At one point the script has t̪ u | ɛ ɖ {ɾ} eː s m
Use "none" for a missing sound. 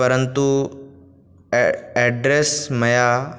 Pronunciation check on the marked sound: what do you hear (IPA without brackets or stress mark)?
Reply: ɾ